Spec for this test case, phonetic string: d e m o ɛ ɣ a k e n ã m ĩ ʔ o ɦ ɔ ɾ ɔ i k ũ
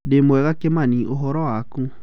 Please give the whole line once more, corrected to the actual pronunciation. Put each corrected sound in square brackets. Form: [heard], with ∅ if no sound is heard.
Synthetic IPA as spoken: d e m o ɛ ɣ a k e [m] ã [n] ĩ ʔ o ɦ ɔ ɾ ɔ [a] k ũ